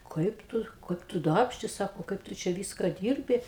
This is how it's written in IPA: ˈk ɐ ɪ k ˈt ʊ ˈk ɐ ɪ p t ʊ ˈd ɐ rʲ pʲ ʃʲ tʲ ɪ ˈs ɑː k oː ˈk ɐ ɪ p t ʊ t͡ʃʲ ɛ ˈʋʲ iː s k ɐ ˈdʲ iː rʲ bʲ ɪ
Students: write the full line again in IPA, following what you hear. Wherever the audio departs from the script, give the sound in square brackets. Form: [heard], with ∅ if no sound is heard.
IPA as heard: ˈk ɐ ɪ [p] ˈt ʊ ˈk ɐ ɪ p t ʊ ˈd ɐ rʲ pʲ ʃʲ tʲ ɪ ˈs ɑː k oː ˈk ɐ ɪ p t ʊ t͡ʃʲ ɛ ˈʋʲ iː s k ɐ ˈdʲ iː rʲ bʲ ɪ